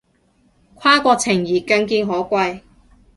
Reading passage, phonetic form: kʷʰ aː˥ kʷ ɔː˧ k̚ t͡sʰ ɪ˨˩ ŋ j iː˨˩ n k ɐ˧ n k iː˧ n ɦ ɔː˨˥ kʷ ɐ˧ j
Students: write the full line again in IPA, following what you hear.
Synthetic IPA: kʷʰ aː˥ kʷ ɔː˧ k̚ t͡sʰ ɪ˨˩ ŋ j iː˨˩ k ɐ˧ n k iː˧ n ɦ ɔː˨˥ kʷ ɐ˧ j